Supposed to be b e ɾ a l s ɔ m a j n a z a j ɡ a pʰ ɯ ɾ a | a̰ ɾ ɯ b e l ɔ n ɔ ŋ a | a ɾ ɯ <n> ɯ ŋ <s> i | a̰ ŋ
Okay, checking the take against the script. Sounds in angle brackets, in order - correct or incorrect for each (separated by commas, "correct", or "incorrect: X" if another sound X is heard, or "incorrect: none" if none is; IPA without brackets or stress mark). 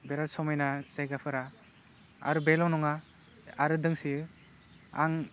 incorrect: d, correct